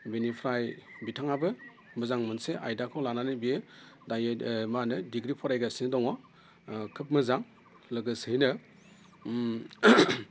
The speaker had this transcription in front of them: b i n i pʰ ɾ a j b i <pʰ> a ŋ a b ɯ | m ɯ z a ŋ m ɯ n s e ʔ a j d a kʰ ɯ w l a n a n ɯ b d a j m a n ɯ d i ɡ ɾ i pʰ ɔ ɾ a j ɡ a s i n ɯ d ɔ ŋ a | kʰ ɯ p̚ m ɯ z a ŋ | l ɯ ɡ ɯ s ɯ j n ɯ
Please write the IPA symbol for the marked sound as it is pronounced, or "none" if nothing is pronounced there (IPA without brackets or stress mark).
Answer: tʰ